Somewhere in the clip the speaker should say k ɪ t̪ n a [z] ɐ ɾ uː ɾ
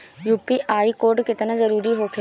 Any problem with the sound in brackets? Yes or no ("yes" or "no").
no